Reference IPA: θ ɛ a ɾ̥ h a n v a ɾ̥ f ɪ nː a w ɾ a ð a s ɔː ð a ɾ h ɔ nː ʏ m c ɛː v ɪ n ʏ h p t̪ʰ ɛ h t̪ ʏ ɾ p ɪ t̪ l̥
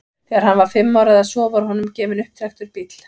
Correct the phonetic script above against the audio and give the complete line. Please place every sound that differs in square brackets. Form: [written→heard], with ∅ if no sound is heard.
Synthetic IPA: θ ɛ a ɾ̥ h a n v a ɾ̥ f ɪ [nː→mː] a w ɾ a ð a s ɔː [ð→v] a ɾ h ɔ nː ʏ m c ɛː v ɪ n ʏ h p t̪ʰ ɛ [h→x] t̪ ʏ ɾ p [ɪ→i] t̪ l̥